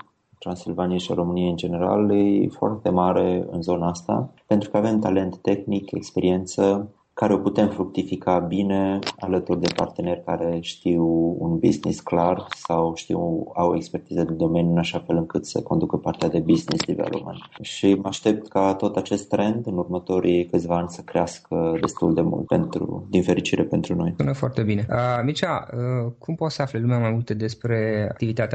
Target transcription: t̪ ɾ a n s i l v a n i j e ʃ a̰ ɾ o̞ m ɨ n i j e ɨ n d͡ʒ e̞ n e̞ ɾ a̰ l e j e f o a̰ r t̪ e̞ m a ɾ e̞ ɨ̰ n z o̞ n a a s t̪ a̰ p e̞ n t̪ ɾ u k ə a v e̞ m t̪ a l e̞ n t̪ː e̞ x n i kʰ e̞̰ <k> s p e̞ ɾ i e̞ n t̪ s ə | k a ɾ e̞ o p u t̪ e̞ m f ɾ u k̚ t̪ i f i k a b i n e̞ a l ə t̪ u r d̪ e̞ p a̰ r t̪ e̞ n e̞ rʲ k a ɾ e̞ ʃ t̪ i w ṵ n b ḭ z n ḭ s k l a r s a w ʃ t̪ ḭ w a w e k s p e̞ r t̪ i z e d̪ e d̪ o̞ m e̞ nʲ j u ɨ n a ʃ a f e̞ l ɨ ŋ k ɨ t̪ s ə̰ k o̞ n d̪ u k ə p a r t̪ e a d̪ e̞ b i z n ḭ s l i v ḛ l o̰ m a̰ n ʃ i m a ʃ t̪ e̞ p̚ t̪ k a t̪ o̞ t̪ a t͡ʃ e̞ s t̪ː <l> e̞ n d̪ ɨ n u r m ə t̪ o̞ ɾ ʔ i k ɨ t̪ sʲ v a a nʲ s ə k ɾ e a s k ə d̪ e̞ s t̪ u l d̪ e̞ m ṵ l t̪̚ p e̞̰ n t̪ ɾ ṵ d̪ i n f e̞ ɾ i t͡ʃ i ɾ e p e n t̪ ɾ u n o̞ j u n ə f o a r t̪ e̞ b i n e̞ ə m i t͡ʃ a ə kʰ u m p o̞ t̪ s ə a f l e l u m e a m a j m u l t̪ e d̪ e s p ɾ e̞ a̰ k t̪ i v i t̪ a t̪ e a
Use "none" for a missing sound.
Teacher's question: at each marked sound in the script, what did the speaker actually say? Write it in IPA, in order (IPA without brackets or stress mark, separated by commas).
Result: k, ɾ